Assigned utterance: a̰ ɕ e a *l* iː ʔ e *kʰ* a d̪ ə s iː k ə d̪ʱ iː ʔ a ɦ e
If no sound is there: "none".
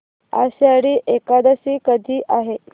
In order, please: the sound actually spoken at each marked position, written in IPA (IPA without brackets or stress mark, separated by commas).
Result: ɽ, k